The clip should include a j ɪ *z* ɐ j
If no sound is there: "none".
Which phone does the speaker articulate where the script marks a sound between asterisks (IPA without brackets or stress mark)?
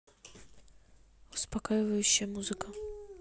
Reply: v